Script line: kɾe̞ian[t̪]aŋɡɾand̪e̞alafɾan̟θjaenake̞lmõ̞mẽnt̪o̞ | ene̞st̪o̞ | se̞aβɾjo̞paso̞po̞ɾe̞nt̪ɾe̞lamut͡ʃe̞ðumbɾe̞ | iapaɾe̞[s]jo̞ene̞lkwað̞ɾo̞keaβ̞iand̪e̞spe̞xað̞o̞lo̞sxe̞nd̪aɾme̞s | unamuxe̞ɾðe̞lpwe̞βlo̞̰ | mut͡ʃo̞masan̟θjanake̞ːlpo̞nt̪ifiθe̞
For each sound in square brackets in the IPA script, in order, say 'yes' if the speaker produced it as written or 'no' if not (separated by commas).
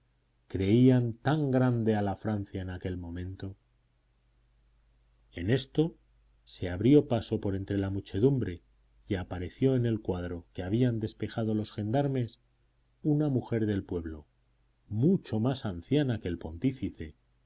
yes, no